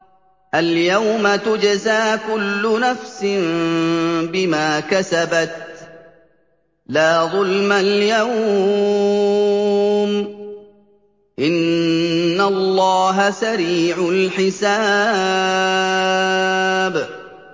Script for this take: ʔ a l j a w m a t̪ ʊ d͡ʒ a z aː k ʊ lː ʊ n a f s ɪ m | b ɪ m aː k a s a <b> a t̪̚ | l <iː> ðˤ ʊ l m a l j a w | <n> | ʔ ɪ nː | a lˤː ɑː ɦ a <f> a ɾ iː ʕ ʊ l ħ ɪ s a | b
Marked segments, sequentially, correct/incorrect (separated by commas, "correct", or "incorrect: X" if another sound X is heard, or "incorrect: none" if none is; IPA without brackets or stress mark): correct, incorrect: aː, incorrect: m, incorrect: s